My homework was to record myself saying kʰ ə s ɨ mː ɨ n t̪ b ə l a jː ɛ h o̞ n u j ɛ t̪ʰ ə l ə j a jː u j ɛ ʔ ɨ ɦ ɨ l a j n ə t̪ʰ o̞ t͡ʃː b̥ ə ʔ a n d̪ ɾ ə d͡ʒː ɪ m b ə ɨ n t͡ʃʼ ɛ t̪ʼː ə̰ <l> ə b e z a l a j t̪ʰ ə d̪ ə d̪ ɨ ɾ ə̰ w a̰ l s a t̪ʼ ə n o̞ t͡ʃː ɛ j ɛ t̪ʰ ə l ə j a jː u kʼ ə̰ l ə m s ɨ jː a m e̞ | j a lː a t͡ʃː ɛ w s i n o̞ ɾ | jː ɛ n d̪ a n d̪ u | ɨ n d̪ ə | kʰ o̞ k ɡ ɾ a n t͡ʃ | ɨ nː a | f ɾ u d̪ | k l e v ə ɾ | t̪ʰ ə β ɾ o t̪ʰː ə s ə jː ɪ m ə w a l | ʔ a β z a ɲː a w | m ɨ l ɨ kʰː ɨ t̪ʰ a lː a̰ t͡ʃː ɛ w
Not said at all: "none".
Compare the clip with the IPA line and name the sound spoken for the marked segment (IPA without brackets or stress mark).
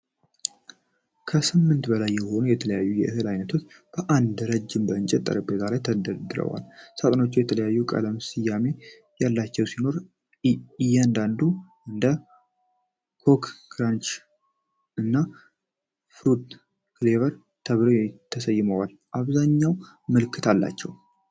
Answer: ɾ